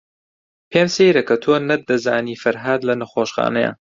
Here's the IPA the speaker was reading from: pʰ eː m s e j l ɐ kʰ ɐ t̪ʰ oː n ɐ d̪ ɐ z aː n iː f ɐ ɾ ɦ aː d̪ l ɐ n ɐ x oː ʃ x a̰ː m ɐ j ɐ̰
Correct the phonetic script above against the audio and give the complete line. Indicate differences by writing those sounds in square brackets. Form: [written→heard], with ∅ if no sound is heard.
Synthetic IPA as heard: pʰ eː m s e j [l→ɾ] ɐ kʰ ɐ t̪ʰ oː n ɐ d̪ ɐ z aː n iː f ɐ ɾ ɦ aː d̪ l ɐ n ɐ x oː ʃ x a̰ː [m→n] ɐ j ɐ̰